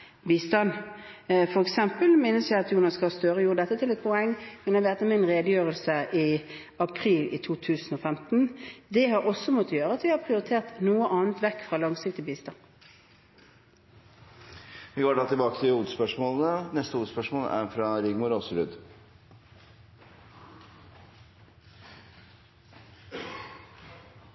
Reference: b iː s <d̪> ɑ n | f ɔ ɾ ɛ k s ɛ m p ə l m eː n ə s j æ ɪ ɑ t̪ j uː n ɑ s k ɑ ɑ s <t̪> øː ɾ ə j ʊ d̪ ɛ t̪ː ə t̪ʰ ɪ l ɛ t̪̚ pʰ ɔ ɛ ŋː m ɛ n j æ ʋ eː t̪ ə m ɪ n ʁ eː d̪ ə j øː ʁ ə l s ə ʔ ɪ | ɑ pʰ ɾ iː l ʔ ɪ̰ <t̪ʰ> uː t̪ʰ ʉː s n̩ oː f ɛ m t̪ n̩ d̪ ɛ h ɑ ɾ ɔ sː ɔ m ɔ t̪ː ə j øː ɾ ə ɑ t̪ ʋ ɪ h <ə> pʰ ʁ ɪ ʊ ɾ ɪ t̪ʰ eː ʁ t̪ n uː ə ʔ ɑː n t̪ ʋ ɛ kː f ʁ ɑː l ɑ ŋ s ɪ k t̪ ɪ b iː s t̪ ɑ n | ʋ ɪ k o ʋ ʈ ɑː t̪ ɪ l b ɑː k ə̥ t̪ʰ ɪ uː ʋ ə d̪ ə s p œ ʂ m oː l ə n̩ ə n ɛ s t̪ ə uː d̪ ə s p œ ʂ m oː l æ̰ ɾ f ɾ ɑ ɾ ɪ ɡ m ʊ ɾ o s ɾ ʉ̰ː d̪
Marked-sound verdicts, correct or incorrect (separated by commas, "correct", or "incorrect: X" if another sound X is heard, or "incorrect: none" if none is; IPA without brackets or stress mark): incorrect: t̪, correct, correct, incorrect: ɑ